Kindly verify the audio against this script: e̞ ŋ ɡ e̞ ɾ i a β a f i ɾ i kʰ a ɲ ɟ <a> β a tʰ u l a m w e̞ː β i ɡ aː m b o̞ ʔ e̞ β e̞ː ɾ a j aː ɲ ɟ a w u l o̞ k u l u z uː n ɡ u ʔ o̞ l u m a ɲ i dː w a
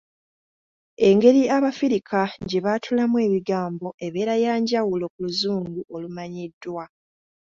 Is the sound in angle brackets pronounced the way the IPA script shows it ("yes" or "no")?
no